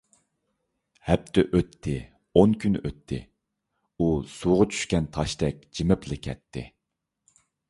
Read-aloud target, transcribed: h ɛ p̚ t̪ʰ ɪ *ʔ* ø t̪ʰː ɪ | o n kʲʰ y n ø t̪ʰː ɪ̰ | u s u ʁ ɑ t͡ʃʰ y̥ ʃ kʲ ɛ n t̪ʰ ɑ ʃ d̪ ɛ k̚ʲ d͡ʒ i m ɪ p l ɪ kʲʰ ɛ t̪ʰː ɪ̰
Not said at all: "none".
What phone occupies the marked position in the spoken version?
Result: ʔ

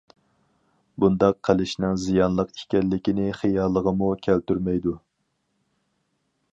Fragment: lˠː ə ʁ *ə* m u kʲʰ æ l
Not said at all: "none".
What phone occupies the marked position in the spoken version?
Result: ə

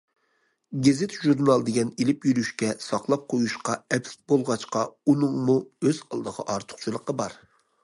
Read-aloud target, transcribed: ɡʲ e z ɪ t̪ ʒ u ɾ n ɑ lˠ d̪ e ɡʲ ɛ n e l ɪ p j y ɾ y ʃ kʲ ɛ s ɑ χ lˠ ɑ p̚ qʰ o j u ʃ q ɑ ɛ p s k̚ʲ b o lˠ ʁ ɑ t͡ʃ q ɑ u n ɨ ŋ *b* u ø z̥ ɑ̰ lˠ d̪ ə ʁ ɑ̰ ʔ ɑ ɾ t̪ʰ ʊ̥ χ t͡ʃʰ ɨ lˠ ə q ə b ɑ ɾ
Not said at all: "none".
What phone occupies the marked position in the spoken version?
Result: m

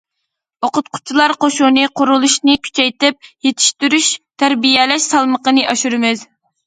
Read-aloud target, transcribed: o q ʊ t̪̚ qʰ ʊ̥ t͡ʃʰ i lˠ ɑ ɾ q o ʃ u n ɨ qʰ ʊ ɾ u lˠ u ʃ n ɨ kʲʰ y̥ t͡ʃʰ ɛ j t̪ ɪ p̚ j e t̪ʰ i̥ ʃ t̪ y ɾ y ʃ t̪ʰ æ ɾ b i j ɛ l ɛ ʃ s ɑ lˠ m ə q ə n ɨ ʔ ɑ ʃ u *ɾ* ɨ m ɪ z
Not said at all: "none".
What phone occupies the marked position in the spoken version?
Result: ɾ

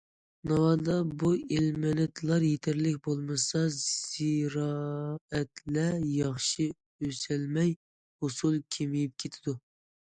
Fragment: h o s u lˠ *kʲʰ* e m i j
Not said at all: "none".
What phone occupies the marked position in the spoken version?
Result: kʲʰ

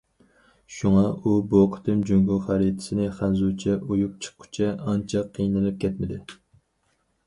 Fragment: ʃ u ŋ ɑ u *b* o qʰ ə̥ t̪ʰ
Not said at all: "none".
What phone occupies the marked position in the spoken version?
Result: b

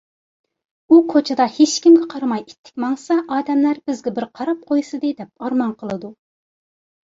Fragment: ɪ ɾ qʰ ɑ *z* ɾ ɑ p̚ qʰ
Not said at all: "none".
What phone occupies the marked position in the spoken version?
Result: none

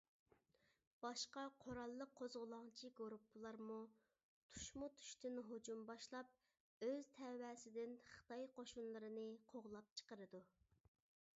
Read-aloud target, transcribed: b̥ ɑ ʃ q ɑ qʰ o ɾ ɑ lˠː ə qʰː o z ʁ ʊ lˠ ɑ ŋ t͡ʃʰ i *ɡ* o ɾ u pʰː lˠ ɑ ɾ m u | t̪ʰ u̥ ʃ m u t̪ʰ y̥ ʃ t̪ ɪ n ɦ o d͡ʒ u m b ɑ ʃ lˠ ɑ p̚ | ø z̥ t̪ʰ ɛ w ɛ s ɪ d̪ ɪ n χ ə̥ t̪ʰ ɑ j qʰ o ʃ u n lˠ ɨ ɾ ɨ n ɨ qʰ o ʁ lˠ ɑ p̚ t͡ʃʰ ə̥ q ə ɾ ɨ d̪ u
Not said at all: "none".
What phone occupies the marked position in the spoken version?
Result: ɡ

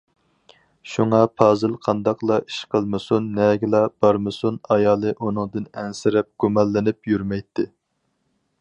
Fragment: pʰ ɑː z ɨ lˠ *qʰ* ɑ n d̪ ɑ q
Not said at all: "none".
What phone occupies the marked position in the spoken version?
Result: qʰ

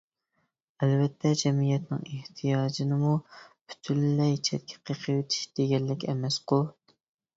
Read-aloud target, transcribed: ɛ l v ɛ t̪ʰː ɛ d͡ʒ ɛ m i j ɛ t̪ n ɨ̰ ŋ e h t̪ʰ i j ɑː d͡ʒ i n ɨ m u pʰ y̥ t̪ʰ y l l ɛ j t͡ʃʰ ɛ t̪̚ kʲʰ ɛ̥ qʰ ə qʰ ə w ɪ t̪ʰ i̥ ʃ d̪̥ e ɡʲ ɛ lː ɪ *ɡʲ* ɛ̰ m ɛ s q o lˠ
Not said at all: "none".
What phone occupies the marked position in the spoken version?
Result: kʲ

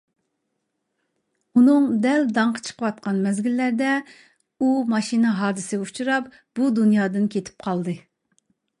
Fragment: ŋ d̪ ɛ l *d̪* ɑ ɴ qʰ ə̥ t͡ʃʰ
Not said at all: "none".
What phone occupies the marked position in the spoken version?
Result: d̪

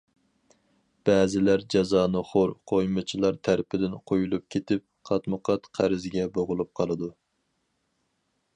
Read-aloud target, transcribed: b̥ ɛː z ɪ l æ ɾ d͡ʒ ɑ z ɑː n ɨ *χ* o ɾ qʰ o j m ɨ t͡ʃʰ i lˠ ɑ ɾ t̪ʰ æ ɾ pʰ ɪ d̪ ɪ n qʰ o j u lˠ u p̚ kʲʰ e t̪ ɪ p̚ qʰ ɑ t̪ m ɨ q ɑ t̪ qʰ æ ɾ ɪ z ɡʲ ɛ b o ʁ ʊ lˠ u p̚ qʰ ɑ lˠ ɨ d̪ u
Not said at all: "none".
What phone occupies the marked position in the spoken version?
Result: χ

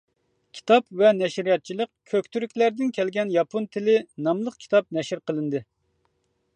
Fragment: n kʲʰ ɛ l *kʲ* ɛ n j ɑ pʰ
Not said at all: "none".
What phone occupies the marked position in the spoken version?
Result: ɡʲ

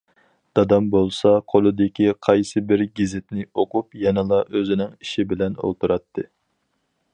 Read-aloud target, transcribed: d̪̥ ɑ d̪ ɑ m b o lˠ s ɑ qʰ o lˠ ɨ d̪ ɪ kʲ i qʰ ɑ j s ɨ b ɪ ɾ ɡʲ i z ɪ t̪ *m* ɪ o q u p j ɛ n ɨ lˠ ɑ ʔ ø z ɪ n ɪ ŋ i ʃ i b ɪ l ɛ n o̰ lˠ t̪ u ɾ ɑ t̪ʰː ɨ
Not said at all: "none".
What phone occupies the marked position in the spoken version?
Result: n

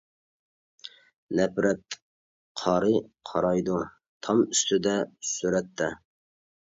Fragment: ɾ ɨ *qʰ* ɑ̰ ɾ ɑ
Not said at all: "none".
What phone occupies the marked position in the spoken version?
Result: qʰ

